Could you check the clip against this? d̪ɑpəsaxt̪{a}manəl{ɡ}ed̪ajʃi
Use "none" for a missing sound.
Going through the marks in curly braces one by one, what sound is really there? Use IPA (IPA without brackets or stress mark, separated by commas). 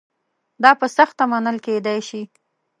a, k